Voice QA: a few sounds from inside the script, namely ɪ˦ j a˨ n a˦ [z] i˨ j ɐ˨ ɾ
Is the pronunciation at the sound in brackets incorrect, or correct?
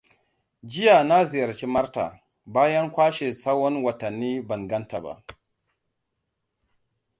correct